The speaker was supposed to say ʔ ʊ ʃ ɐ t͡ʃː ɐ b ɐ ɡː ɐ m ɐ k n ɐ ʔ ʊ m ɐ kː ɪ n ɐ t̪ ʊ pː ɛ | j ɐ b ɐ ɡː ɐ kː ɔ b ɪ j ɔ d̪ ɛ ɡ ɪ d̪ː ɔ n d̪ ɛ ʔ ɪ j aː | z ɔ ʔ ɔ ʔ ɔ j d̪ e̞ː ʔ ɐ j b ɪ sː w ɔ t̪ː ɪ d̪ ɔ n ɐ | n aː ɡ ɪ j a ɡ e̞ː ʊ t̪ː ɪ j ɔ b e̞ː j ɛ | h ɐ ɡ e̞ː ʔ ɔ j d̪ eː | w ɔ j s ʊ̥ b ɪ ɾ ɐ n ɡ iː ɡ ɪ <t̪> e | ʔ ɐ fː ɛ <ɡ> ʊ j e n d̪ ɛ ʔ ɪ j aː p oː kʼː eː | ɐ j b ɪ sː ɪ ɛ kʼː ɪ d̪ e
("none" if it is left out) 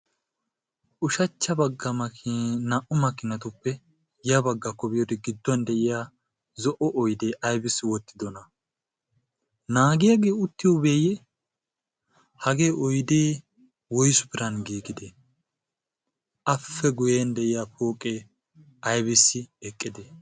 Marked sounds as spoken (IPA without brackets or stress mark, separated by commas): d̪, ɡ